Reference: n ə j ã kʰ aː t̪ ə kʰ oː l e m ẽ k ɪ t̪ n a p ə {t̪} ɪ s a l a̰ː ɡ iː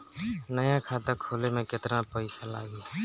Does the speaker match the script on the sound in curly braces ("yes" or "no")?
no